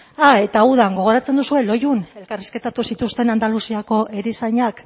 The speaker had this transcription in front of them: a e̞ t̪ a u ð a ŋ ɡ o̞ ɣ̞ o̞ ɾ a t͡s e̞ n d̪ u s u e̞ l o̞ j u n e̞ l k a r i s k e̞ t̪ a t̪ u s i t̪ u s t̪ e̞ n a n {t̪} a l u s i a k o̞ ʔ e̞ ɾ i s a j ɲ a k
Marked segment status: incorrect: d̪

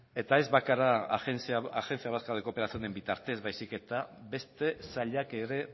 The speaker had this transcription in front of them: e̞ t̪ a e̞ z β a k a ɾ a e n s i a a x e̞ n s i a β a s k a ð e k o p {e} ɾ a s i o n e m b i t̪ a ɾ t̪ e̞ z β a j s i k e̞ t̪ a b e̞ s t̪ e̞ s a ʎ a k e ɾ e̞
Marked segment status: correct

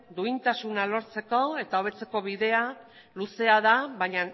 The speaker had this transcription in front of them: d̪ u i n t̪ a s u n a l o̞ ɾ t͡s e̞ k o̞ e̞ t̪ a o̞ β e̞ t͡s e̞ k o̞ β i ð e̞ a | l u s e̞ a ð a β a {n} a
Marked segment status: incorrect: ɲ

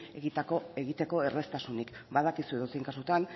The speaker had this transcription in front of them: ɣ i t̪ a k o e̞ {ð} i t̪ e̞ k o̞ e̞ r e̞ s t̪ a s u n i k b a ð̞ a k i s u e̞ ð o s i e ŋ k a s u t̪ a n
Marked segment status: incorrect: ɣ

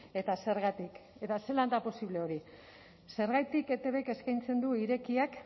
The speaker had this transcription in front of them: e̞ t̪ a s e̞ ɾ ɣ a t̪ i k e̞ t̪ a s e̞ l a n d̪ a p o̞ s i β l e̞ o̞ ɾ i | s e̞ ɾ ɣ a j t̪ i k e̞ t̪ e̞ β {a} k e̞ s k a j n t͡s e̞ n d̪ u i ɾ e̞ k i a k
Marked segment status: incorrect: e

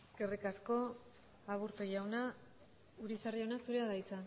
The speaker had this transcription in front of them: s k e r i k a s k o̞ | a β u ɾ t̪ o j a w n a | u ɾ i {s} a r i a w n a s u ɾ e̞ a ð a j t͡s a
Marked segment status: correct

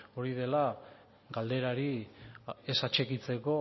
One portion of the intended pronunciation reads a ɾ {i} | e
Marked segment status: correct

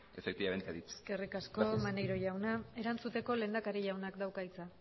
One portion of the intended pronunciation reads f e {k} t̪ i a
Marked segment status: correct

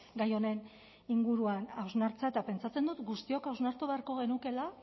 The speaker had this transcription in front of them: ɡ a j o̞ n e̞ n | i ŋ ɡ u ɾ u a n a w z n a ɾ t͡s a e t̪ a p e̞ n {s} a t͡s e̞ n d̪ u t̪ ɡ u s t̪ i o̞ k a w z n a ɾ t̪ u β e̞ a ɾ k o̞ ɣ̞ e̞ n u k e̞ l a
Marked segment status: incorrect: t͡s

